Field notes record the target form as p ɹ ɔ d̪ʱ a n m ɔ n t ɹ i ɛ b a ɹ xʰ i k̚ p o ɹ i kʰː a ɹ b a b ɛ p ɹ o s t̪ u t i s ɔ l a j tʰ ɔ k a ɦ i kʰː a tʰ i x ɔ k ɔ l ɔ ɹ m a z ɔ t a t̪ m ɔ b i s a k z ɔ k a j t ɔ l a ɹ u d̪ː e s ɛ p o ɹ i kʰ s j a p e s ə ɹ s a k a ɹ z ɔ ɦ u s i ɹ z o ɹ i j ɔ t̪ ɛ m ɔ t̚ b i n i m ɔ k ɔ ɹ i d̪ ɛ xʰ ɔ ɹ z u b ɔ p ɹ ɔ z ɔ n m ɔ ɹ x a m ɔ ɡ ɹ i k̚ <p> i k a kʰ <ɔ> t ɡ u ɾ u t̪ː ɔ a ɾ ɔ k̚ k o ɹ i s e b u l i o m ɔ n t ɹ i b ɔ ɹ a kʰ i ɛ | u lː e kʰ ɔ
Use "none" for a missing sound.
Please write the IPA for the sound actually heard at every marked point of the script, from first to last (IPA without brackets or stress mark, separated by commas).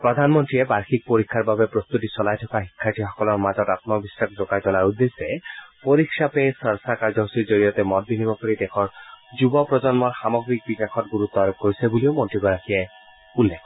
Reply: b, ɔ